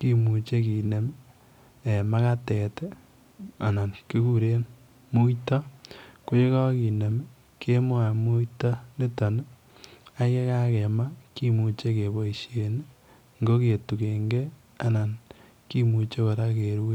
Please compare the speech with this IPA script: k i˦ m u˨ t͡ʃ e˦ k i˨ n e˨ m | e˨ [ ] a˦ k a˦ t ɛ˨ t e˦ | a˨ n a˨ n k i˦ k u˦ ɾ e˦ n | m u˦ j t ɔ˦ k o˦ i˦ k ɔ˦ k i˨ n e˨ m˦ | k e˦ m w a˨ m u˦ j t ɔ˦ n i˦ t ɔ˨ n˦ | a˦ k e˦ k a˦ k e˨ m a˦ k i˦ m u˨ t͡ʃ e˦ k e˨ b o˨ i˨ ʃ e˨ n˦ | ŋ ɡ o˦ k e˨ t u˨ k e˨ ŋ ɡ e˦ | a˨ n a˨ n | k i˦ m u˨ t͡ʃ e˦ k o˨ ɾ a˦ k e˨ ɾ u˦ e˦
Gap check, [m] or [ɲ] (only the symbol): m